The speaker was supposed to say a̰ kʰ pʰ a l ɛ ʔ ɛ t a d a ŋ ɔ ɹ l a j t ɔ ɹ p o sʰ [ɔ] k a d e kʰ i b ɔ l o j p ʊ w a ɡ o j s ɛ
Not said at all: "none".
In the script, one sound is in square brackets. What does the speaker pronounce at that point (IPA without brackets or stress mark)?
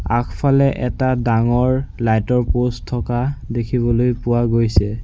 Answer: ɔ